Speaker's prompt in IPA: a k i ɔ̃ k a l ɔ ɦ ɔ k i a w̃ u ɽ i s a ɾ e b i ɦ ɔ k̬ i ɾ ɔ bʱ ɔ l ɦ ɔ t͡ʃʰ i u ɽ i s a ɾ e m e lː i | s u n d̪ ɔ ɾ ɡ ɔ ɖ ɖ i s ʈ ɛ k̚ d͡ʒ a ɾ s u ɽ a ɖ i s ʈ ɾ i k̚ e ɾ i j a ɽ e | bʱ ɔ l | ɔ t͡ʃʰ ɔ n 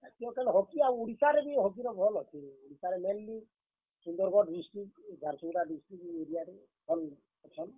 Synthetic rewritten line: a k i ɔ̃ k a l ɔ ɦ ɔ k i a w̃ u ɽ i s a ɾ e b i ɦ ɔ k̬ i ɾ ɔ bʱ ɔ l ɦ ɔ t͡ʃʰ i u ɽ i s a ɾ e m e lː i | s u n d̪ ɔ ɾ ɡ ɔ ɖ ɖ i s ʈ i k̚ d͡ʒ a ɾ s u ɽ a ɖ i s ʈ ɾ i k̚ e ɾ i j a ɾ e | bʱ ɔ l | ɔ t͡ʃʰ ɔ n

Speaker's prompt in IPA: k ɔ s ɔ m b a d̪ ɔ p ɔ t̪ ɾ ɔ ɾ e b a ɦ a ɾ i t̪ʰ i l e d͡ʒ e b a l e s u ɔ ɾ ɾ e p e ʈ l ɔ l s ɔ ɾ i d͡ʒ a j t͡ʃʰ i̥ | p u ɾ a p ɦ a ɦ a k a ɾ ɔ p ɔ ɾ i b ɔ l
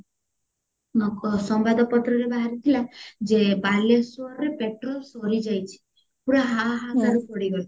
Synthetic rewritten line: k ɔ s ɔ m b a d̪ ɔ p ɔ t̪ ɾ ɔ ɾ e b a ɦ a ɾ i t̪ʰ i l a d͡ʒ e b a l e s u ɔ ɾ ɾ e p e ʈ ɾ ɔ l s ɔ ɾ i d͡ʒ a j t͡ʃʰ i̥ | p u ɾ a ɦ a ɦ a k a ɾ u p ɔ ɽ i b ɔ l

